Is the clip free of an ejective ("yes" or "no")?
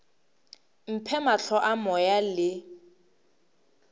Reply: yes